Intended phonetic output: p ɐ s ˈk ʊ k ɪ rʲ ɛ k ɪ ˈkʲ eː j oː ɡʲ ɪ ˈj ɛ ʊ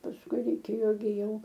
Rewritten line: p ɐ s ˈk ʊ ɪ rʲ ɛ ɪ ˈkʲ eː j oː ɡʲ ɪ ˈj ɛ ʊ